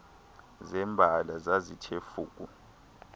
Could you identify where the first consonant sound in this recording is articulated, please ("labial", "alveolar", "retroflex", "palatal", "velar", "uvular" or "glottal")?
alveolar